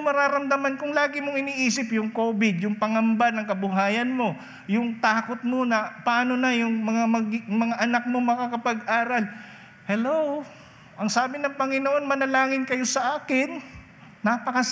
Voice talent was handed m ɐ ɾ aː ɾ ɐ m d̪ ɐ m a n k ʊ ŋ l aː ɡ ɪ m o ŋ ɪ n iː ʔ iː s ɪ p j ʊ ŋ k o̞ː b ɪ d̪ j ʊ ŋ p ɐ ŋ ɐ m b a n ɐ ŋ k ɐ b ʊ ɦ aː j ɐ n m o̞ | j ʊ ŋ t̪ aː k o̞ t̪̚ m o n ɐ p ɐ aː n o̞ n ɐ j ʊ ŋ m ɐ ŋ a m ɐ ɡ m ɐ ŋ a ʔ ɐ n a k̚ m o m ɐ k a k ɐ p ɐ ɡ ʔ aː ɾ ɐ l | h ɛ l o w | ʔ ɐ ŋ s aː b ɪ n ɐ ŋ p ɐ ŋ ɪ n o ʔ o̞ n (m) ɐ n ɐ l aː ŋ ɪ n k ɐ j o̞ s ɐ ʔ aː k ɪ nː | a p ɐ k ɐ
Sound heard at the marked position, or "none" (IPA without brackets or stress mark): m